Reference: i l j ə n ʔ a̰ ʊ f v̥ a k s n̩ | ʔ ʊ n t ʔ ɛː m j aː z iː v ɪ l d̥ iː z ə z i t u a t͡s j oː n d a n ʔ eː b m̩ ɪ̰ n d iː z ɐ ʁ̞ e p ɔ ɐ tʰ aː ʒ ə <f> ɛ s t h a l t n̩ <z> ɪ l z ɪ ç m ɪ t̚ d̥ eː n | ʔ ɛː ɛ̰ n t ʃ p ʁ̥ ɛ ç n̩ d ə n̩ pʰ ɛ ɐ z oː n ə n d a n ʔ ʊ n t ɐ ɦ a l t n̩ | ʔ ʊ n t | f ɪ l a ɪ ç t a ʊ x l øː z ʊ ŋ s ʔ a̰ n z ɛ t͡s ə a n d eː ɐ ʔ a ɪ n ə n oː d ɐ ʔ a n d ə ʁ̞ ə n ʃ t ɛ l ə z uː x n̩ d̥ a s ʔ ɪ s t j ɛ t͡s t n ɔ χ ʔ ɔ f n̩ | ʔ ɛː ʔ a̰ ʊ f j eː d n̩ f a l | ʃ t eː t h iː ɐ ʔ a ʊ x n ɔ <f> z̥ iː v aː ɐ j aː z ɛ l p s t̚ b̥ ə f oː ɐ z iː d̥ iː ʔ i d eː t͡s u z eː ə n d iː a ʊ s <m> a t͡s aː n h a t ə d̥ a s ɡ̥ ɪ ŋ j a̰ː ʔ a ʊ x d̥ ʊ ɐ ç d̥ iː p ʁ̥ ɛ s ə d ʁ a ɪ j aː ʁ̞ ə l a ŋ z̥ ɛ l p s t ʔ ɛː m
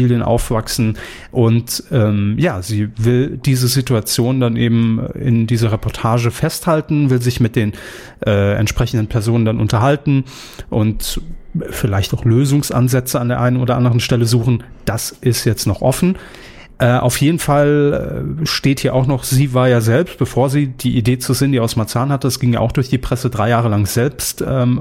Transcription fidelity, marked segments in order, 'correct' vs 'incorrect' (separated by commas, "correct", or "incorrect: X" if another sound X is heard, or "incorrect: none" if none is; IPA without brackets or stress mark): correct, incorrect: v, incorrect: χ, correct